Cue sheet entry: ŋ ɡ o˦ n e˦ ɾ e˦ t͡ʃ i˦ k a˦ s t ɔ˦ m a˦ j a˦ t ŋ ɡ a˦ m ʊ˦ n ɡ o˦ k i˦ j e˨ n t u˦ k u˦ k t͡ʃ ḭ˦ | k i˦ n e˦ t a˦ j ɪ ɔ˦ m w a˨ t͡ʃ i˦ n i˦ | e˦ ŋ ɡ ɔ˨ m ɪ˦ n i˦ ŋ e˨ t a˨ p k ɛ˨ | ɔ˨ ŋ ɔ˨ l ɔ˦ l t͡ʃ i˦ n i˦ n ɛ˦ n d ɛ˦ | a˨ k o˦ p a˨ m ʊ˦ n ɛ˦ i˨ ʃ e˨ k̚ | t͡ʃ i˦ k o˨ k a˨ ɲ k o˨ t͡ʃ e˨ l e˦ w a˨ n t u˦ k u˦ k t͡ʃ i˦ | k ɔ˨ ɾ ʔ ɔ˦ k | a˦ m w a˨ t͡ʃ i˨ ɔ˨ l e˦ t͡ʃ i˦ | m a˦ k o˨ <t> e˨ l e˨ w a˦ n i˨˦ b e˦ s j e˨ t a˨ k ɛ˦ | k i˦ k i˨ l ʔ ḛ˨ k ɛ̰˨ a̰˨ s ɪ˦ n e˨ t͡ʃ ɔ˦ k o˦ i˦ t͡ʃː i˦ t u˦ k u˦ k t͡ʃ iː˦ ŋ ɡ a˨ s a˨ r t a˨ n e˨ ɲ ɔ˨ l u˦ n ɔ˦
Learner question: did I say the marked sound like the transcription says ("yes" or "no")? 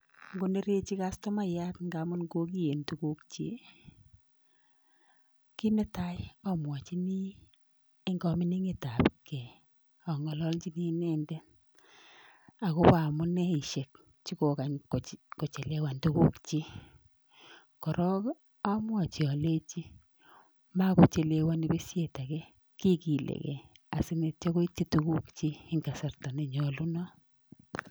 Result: no